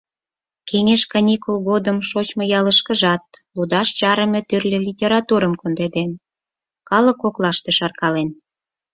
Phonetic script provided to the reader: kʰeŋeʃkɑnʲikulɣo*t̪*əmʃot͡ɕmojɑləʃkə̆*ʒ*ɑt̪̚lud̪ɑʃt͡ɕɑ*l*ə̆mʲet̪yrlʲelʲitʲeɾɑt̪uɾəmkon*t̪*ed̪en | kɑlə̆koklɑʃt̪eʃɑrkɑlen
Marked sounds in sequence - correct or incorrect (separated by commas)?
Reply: incorrect, correct, incorrect, incorrect